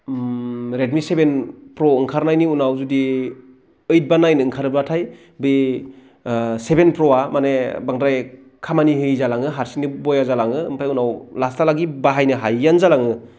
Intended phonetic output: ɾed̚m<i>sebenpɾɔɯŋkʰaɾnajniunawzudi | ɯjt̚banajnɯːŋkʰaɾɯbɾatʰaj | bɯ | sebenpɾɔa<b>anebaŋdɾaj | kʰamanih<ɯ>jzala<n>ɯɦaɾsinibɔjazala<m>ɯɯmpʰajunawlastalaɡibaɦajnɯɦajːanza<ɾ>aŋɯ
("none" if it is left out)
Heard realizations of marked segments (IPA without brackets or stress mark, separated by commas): i, m, ɯ, ŋ, ŋ, l